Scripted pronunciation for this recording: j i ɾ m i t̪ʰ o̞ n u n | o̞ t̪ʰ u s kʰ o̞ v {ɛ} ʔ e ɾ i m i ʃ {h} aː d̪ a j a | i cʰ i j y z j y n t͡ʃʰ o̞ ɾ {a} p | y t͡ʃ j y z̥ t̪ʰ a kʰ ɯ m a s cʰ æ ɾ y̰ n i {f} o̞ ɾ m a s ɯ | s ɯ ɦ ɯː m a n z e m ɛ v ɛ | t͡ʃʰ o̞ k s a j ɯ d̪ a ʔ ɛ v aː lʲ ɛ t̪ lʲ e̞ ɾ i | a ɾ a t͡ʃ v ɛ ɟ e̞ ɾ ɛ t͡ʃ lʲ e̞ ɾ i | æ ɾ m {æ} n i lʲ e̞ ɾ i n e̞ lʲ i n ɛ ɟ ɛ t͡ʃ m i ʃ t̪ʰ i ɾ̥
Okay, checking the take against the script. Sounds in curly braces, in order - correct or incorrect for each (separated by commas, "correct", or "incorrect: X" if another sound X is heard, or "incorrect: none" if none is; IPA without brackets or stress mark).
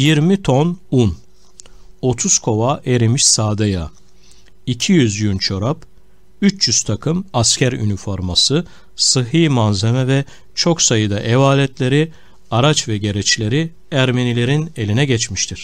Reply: incorrect: a, incorrect: s, correct, correct, incorrect: e